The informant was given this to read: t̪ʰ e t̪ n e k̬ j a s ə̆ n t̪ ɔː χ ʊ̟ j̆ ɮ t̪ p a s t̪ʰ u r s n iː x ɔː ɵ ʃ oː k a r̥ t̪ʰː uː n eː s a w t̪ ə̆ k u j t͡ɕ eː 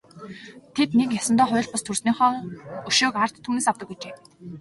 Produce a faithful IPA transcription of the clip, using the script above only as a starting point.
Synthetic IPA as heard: t̪ʰ e t̪ n e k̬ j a s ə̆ n t̪ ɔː χ ʊ̟ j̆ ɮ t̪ p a s t̪ʰ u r s n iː χ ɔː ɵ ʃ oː k a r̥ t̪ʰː uː n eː s a w t̪ ə̆ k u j t͡ɕ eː